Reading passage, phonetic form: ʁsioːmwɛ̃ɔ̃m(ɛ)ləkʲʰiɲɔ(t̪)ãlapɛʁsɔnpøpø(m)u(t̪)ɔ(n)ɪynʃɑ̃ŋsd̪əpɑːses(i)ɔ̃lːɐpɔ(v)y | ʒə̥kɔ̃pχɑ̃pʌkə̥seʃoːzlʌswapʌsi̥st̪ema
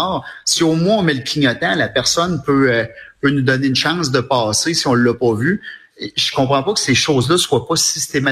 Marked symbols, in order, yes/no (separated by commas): yes, yes, no, no, yes, yes, yes